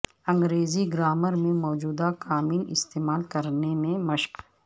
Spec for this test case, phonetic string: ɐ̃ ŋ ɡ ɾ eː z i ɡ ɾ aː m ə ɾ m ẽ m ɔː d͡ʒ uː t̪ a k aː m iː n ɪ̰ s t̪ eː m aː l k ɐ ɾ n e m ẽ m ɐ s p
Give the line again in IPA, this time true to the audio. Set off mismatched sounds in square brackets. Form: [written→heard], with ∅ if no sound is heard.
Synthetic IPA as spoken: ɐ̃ ŋ ɡ ɾ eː z i ɡ ɾ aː m ə ɾ m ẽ m ɔː d͡ʒ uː [t̪→d̪] a k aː m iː n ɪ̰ s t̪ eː m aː l k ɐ ɾ n e m ẽ m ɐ [s→ʃ] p